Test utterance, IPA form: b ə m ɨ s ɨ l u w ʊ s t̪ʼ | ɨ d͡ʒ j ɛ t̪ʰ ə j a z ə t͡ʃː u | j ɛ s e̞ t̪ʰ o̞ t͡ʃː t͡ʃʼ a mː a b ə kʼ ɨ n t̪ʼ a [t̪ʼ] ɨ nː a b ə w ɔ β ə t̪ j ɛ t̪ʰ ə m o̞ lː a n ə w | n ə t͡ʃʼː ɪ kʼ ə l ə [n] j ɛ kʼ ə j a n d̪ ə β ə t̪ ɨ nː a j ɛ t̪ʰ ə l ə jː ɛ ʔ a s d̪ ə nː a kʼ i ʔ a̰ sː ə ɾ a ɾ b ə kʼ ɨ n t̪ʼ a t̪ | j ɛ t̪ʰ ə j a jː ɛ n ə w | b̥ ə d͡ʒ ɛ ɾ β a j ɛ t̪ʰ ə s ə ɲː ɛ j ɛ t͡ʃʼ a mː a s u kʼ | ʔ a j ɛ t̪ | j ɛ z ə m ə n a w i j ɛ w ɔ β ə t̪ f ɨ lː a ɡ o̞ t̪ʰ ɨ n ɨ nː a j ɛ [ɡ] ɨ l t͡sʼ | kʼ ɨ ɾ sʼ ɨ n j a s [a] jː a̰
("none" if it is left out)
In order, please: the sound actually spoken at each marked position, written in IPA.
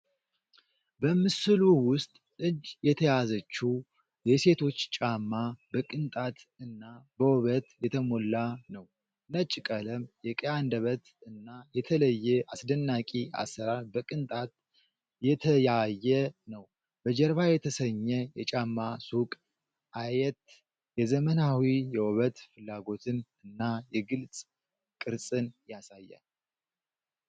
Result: t̪, m, ɡ, a

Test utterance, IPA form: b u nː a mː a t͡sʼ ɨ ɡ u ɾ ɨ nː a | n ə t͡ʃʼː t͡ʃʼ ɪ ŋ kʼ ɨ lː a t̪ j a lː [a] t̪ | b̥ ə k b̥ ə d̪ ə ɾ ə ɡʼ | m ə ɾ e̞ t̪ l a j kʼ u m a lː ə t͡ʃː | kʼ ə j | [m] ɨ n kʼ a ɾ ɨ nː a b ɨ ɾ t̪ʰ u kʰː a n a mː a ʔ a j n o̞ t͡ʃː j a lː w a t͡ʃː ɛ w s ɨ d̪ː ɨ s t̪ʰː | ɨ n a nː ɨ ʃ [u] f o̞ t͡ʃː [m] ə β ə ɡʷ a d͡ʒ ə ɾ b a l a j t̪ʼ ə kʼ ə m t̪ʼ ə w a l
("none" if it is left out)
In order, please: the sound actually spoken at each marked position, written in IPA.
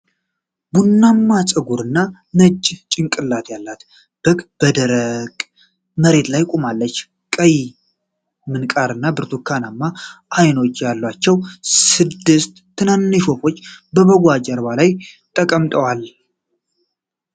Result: a, m, o, b

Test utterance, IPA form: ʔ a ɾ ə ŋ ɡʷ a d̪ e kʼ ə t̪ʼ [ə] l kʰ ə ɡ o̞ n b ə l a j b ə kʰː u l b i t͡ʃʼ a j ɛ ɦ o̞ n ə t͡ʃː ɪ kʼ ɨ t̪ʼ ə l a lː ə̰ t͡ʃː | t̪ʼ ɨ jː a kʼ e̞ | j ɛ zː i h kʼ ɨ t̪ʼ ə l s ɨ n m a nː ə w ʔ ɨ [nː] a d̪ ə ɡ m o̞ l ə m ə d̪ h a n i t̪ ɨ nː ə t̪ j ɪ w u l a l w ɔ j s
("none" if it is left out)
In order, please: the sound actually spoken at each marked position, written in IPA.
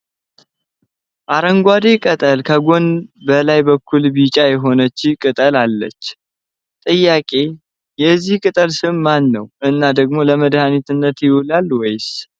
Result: ə, nː

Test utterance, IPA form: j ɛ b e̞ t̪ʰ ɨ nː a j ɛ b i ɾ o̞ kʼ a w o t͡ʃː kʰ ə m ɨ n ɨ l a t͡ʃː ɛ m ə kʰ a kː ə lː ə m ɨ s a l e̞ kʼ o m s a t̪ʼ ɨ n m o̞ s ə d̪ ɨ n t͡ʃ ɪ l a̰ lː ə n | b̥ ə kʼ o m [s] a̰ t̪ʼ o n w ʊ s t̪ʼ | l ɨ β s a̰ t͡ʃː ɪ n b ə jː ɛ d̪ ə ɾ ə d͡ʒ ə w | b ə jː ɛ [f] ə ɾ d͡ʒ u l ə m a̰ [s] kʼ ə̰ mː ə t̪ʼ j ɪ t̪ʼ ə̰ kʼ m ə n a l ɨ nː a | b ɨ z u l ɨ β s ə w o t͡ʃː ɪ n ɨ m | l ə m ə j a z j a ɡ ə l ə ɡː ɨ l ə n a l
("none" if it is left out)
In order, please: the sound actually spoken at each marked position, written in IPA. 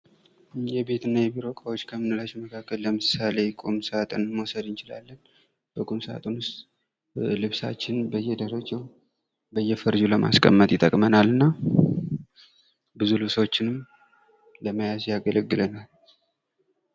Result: s, f, s

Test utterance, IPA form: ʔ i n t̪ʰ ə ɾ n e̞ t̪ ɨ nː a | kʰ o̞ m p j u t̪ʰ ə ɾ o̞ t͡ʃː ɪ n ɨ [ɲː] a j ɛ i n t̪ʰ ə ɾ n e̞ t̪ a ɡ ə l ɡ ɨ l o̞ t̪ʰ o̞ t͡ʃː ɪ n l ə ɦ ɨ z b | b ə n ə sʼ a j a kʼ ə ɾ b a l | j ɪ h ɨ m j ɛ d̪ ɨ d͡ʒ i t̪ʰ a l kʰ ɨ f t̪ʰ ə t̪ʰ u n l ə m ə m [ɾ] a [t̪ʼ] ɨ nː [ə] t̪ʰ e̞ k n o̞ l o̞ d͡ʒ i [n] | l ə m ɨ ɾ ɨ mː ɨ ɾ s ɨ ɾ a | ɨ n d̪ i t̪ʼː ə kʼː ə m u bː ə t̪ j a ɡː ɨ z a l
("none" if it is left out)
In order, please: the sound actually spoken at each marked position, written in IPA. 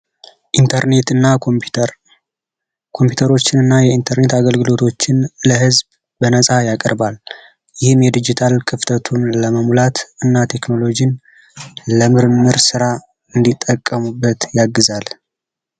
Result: nː, l, t̪, a, n

